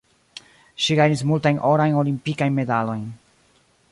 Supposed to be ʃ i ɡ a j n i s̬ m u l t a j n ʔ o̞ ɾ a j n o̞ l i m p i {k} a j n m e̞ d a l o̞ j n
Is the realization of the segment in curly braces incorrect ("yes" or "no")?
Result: no